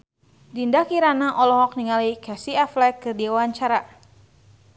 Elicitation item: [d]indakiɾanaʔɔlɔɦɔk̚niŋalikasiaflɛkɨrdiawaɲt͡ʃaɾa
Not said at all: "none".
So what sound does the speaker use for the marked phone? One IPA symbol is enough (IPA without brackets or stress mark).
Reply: d